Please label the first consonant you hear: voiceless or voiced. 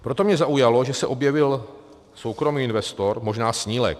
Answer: voiceless